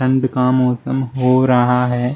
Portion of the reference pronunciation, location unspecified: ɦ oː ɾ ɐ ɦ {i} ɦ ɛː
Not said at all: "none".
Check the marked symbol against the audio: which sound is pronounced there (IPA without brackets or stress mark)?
a